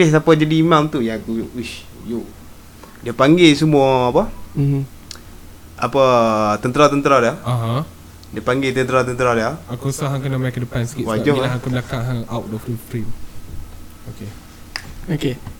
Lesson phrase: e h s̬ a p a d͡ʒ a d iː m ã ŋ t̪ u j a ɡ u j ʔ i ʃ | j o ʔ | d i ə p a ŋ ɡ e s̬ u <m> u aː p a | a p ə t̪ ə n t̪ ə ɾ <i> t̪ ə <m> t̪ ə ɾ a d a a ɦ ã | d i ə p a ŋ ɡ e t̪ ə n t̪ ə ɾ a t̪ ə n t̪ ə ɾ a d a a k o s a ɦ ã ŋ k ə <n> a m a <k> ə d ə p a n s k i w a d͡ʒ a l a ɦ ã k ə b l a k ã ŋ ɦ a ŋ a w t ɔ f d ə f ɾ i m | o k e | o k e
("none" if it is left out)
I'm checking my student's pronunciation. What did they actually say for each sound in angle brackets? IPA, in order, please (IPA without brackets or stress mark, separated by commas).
m, a, n, n, k